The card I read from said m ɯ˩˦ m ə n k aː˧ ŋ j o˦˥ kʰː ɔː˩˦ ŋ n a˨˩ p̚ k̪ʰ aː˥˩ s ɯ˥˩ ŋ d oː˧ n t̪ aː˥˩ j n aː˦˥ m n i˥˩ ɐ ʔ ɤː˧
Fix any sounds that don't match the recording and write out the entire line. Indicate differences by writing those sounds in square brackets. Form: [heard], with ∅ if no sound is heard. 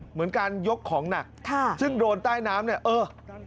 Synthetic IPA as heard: m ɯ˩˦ [∅] ə n k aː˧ [n] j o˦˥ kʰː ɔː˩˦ ŋ n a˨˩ [k̚] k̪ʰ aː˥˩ s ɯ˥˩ ŋ d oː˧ n t̪ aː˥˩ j n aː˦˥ m n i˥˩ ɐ ʔ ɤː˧